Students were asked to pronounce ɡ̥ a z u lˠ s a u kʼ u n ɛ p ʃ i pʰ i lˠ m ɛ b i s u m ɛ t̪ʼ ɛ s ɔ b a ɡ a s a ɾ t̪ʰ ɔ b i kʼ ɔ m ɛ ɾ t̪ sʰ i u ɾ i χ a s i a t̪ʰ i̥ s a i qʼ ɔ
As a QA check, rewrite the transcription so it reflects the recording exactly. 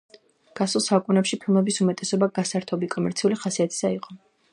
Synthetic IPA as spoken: ɡ̥ a s u lˠ s a u kʼ u n ɛ p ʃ i pʰ i lˠ m ɛ b i s u m ɛ t̪ʼ ɛ s ɔ b a ɡ a s a ɾ t̪ʰ ɔ b i kʼ ɔ m ɛ ɾ t̪ sʰ i u l i χ a s i a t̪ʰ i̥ s a i qʼ ɔ